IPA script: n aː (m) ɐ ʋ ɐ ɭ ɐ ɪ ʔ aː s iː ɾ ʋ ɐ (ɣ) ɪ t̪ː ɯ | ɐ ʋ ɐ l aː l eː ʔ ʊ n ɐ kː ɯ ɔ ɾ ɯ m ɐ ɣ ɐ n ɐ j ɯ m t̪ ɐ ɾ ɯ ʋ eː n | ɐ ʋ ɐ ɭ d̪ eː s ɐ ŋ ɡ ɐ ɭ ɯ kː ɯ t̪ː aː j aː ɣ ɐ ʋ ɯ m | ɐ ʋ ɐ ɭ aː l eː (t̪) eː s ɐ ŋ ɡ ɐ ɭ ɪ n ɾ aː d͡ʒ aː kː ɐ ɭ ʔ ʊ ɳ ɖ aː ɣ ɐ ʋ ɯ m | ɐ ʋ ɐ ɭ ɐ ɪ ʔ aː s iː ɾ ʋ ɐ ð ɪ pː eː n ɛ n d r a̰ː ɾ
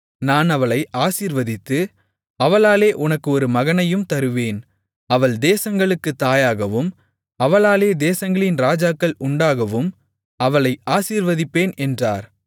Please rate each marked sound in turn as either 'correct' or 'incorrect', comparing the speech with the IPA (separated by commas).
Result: incorrect, incorrect, incorrect